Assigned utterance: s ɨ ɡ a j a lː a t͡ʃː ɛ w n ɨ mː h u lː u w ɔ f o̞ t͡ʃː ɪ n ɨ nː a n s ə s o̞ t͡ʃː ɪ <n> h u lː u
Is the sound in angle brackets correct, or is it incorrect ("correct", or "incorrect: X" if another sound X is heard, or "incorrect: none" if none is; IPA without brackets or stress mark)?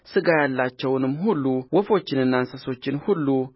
correct